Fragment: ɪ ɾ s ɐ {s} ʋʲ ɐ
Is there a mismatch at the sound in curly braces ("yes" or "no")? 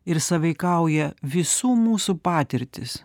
yes